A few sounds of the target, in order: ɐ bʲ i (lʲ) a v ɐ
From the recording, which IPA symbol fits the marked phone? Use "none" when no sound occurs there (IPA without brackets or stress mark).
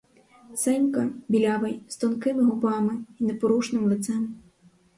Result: lʲ